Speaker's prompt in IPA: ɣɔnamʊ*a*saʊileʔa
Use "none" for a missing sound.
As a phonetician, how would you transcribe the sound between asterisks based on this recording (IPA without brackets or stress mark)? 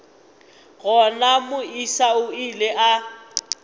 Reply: i